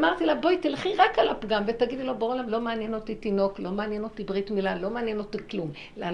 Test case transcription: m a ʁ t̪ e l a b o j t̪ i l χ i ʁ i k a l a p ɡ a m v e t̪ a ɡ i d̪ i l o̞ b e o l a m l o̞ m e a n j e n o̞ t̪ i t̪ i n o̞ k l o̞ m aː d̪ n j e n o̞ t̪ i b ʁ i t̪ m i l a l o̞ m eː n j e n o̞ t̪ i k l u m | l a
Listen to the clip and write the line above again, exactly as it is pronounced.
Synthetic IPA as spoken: m a ʁ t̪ i l a b o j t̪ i l χ i ʁ a k a l a p ɡ a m v e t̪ a ɡ i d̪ i l o̞ b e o l a m l o̞ m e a n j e n o̞ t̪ i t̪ i n o̞ k l o̞ m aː n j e n o̞ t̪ i b ʁ i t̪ m i l a l o̞ m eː n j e n o̞ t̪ i k l u m | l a